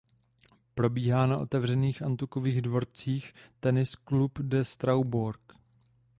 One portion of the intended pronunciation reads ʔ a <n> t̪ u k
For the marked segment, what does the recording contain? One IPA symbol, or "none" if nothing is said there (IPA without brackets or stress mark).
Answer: n